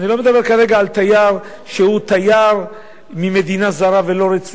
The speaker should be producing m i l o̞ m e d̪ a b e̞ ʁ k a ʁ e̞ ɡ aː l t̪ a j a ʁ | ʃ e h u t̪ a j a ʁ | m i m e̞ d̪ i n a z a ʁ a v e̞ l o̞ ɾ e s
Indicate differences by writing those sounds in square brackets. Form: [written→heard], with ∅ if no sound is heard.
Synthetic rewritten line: [m→n] i l o̞ m e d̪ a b e̞ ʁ k a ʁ e̞ ɡ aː l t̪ a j a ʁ | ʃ e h u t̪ a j a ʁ | m i m e̞ d̪ i n a z a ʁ a v e̞ l o̞ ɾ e [s→t͡s]